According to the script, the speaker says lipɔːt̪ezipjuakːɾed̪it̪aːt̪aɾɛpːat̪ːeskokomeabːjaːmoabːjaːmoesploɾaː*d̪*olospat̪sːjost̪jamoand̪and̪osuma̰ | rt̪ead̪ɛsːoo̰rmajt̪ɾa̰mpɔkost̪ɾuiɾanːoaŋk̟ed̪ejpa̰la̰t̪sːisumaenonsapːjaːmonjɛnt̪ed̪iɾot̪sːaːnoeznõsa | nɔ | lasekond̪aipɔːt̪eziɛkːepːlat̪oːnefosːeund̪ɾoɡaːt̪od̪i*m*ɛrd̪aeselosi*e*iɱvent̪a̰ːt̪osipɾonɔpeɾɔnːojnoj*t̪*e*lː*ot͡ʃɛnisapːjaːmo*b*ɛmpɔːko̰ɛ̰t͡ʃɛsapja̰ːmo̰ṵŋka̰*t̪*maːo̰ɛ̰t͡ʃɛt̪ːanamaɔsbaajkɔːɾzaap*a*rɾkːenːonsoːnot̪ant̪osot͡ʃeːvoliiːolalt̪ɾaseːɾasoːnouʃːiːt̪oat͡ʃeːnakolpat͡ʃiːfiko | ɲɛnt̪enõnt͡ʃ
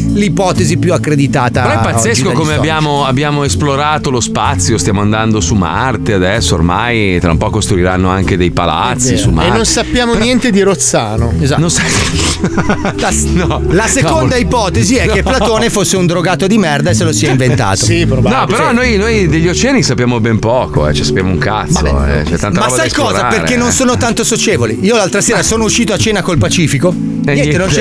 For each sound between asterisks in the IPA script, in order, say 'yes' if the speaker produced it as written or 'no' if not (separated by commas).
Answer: no, yes, no, no, no, yes, yes, no